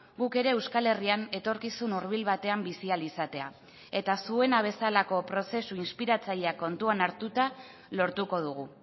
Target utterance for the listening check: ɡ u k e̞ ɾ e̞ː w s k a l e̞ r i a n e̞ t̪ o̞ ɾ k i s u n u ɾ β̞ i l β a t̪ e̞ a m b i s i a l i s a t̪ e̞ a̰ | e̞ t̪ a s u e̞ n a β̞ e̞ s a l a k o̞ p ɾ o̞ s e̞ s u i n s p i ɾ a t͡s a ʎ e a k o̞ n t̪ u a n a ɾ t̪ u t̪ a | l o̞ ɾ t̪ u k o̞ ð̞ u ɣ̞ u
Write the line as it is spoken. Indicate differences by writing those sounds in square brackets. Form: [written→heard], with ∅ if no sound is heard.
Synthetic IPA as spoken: ɡ u k e̞ ɾ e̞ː w s k a l e̞ r i a n e̞ t̪ o̞ ɾ k i s u n u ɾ β̞ i l β a t̪ e̞ a m b i s i a l i s a t̪ e̞ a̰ | e̞ t̪ a s u e̞ n a β̞ e̞ s a l a k o̞ p ɾ o̞ s e̞ s u i n s p i ɾ a t͡s a ʎ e a k o̞ n t̪ u a n a ɾ t̪ u t̪ a | l o̞ ɾ t̪ u k o̞ ð̞ u ɣ̞ u